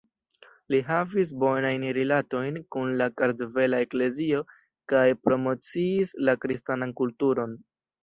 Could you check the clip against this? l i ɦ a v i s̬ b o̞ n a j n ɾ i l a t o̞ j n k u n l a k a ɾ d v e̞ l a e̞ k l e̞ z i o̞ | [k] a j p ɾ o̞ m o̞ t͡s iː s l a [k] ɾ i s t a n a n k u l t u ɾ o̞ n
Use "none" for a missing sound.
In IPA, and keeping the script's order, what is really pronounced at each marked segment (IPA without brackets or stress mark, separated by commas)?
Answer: k, k